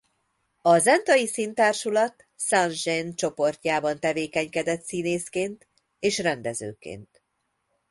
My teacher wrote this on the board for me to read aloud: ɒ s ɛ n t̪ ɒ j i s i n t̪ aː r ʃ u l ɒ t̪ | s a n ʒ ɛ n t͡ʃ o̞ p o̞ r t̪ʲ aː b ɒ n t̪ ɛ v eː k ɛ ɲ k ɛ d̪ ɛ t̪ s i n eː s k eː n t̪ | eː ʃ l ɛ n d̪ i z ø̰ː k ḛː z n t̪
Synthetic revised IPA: ɒ z ɛ n t̪ ɒ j i s i n t̪ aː r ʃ u l ɒ t̪ | s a n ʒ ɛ n t͡ʃ o̞ p o̞ r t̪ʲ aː b ɒ n t̪ ɛ v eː k ɛ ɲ k ɛ d̪ ɛ t̪ s i n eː s k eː n t̪ | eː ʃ r ɛ n d̪ ɛ z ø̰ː k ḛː n t̪